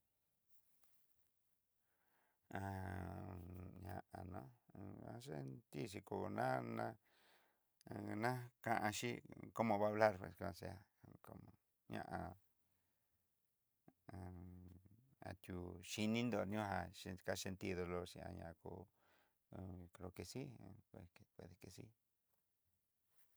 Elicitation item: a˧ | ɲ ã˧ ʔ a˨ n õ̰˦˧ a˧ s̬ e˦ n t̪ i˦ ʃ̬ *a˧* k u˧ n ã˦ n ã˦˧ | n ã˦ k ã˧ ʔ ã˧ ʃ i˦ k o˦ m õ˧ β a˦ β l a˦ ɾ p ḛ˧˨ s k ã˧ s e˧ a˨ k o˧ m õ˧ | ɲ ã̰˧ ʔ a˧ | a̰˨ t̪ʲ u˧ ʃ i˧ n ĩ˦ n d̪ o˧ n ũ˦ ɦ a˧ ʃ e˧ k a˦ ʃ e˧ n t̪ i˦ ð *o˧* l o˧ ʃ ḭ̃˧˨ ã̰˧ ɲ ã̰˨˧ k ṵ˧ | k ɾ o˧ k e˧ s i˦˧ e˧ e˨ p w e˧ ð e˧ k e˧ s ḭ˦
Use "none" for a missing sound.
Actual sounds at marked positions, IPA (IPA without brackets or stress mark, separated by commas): i˧, o˧